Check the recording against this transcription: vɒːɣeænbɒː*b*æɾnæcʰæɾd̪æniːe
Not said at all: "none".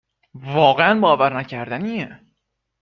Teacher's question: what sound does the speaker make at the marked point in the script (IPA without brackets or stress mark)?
v